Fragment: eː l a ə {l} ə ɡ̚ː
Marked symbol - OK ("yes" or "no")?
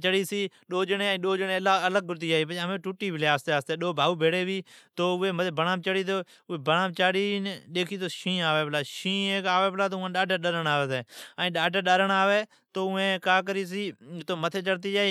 yes